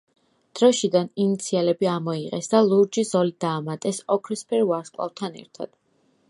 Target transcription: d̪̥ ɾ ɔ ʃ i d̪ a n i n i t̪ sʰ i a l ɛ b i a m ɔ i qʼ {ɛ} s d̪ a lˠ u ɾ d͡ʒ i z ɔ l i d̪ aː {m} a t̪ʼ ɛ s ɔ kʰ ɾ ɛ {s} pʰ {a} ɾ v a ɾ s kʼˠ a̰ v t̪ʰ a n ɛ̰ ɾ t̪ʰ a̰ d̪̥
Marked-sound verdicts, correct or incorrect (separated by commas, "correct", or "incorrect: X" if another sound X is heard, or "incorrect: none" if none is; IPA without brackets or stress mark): correct, correct, correct, incorrect: ɛ